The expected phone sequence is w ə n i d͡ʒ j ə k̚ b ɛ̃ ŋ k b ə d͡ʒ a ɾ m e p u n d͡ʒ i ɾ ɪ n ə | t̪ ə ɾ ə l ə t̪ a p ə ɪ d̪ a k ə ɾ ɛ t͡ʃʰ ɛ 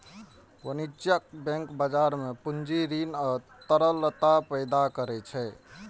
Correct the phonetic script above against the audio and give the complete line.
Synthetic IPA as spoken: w ə n i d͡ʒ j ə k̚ b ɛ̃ ŋ k b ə d͡ʒ a ɾ m e p u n d͡ʒ i ɾ i n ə | t̪ ə ɾ ə l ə t̪ a p ə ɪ d̪ a k ə ɾ ɛ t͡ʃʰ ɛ